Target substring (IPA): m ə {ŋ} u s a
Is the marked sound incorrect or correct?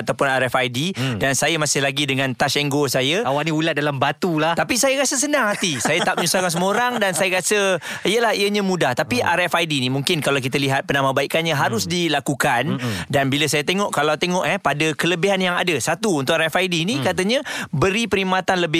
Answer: incorrect